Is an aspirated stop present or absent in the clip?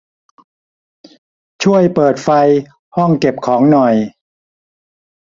present